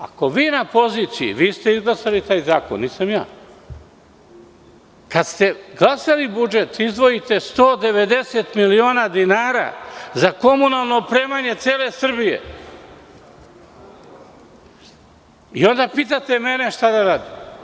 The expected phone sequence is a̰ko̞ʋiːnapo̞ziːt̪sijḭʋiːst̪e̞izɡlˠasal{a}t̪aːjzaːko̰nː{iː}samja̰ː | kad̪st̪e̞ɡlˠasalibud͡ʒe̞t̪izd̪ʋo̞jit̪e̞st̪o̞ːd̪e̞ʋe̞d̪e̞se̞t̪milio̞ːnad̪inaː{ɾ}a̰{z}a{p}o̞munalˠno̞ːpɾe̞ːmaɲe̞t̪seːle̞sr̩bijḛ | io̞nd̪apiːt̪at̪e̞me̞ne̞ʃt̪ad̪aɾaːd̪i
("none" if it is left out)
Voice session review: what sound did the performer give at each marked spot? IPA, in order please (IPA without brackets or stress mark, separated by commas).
i, iː, ɾ, z, k